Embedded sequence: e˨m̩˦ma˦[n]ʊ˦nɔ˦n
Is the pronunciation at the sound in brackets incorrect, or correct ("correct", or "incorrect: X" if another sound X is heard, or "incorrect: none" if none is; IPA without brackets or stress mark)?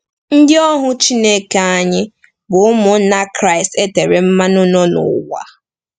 correct